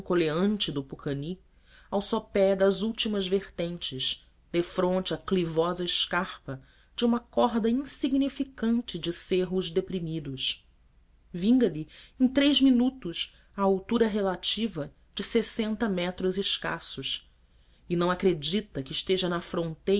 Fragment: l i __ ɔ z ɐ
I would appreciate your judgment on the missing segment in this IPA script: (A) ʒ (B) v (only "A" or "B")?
B